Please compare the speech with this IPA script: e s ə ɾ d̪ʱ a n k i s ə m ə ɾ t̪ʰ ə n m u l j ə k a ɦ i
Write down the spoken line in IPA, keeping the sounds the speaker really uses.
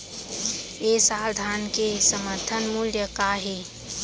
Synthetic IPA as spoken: e s a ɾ d̪ʱ a n k e s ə m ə ɾ t̪ʰ ə n m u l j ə k a ɦ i